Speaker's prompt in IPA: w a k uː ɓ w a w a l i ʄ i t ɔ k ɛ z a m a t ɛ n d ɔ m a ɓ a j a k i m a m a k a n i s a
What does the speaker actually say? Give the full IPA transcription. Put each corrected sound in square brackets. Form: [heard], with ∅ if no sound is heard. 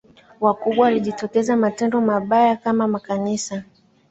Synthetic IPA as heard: w a k [u] ɓ w a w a l i ʄ i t ɔ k ɛ z a m a t ɛ n d ɔ m a ɓ a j a k [a] m a m a k a n i s a